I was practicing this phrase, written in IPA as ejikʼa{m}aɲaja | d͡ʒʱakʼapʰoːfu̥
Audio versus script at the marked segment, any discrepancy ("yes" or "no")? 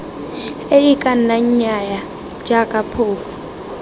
yes